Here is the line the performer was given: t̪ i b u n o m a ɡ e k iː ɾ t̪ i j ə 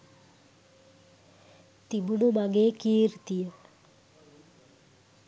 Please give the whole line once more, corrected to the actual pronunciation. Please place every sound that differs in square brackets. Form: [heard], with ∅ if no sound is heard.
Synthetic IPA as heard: t̪ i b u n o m a ɡ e k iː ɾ t̪ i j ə